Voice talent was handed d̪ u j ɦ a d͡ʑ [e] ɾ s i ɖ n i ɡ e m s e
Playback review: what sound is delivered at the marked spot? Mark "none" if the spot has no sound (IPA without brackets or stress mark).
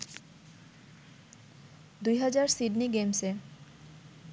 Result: a